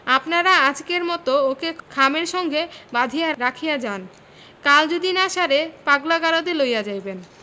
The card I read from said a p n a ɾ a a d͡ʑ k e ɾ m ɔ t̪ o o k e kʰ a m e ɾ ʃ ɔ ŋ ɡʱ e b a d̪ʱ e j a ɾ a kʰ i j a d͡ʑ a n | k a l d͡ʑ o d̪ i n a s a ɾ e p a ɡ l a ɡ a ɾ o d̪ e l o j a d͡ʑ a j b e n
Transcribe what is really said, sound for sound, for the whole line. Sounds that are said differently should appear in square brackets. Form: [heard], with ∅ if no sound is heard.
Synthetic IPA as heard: a p n a ɾ a a d͡ʑ k e ɾ m ɔ t̪ o o k e kʰ a m e ɾ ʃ ɔ ŋ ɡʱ e b a d̪ʱ [i] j a ɾ a kʰ i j a d͡ʑ a n | k a l d͡ʑ o d̪ i n a [ʃ] a ɾ e p a ɡ l a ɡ a ɾ o d̪ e l o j a d͡ʑ a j b e n

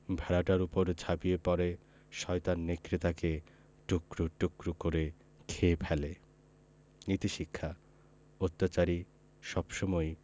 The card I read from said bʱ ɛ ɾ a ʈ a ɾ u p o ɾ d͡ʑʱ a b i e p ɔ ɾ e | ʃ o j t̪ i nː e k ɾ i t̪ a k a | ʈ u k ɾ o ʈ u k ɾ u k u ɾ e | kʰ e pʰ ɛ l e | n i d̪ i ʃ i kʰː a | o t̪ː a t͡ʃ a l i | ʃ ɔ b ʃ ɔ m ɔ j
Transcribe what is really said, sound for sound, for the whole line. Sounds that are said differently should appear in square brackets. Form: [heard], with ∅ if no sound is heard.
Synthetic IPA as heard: bʱ ɛ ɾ a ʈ a ɾ u p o ɾ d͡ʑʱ a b i e p ɔ ɾ e | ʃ [ɔ] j t̪ [a] nː e k ɾ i t̪ a k [e] | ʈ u k ɾ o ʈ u k ɾ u k [o] ɾ e | kʰ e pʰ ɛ l e | n i [t̪] i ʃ i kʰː a | o t̪ː a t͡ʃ a [ɾ] i | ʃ ɔ b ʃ ɔ m ɔ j

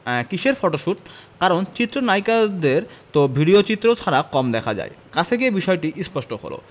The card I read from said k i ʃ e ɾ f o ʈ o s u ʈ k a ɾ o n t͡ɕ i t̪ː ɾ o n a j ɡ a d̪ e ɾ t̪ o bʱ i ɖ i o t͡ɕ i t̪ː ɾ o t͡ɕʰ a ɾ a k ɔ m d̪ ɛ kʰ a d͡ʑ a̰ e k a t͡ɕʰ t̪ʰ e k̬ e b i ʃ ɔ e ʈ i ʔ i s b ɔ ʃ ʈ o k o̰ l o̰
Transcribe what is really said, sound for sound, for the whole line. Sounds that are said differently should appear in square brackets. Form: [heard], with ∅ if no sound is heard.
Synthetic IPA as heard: k i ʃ e ɾ f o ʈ o [ʃ] u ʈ k a ɾ o n t͡ɕ i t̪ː ɾ o n a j [k] a d̪ e ɾ t̪ o bʱ i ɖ i o t͡ɕ i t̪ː ɾ o t͡ɕʰ a ɾ a k ɔ m d̪ ɛ kʰ a d͡ʑ a̰ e k a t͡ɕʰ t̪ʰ e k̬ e b i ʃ ɔ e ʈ i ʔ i s [p] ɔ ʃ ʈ o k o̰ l o̰

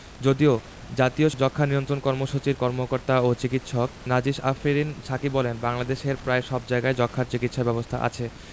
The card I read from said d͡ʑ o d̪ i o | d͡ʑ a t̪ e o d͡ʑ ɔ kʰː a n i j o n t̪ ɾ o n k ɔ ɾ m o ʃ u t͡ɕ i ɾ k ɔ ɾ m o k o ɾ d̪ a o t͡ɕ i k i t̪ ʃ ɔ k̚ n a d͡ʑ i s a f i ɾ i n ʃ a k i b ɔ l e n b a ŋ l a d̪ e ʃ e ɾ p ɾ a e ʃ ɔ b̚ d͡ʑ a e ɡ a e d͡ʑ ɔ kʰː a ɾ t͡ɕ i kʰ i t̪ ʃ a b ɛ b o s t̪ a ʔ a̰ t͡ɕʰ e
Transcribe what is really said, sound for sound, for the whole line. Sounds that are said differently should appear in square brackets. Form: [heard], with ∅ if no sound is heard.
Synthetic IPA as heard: d͡ʑ o d̪ i o | d͡ʑ a t̪ [i] o d͡ʑ ɔ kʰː a n i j o n t̪ ɾ o n k ɔ ɾ m o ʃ u t͡ɕ i ɾ k ɔ ɾ m o k o ɾ [t̪] a o t͡ɕ i k i t̪ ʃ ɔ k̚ n a d͡ʑ i [ʃ] a f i ɾ i n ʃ a k i b ɔ l e n b a ŋ l a d̪ e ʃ e ɾ p ɾ a e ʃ ɔ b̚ d͡ʑ a e ɡ a e d͡ʑ ɔ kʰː a ɾ t͡ɕ i [k] i t̪ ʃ a b ɛ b o s [t̪ʰ] a ʔ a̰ t͡ɕʰ e

